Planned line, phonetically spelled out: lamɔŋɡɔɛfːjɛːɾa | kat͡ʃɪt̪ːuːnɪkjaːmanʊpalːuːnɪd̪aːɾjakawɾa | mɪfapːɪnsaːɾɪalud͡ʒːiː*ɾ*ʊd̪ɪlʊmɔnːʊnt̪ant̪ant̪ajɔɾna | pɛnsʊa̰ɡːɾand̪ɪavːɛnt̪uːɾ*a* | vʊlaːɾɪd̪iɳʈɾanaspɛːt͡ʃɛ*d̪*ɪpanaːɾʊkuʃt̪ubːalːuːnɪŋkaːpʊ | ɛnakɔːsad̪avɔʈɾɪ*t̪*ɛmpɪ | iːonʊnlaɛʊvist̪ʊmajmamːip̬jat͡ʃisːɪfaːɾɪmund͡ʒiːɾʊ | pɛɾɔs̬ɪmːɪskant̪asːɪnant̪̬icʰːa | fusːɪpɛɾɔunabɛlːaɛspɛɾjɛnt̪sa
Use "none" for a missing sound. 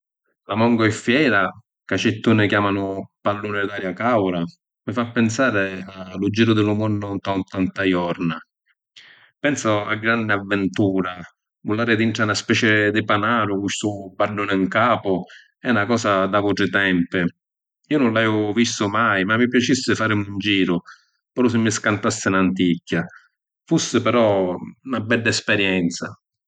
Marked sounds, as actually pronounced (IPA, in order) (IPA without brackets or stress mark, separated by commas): ɾ, a, d̪, t̪